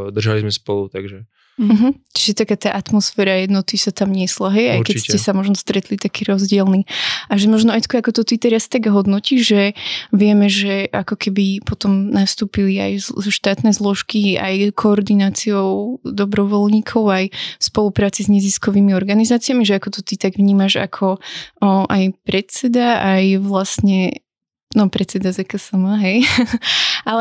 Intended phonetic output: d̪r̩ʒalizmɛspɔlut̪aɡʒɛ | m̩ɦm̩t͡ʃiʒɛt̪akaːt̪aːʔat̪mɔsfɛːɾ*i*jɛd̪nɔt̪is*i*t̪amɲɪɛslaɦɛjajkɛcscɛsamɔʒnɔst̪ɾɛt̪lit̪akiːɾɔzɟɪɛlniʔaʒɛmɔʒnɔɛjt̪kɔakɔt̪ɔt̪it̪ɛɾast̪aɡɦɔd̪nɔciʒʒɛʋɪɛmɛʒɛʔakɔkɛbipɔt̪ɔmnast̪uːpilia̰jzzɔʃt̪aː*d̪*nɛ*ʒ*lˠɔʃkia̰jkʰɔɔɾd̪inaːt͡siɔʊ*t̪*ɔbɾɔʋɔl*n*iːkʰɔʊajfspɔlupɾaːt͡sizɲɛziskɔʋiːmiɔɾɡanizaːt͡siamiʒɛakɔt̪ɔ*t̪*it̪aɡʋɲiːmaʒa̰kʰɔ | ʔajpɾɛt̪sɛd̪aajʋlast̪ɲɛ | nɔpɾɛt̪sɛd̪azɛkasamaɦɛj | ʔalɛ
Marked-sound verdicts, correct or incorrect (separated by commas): incorrect, incorrect, incorrect, incorrect, incorrect, incorrect, correct